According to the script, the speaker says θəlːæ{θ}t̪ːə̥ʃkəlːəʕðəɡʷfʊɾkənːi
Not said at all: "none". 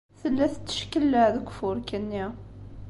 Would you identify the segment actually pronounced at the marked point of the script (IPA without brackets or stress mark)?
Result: θ